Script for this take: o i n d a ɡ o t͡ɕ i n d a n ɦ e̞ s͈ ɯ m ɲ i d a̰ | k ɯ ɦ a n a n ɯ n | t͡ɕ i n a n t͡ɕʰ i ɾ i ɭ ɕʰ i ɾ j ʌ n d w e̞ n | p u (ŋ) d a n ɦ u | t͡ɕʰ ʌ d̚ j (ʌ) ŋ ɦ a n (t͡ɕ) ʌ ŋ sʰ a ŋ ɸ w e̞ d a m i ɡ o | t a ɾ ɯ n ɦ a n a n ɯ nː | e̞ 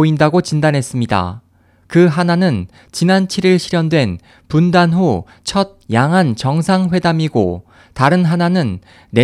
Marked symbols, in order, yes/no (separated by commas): no, no, yes